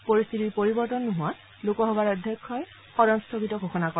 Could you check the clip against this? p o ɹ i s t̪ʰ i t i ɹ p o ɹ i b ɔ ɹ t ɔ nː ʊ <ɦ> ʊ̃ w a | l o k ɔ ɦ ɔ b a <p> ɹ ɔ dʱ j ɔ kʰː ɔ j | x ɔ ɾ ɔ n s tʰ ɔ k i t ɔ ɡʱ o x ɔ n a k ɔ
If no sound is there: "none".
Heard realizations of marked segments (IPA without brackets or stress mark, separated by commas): ɦ, none